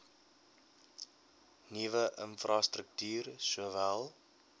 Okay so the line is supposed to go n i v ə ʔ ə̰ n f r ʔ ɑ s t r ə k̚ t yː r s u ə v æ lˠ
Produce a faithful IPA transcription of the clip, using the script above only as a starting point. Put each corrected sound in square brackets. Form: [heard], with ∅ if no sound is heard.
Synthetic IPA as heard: n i v ə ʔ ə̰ n f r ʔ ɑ s t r ə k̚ t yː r s u ə v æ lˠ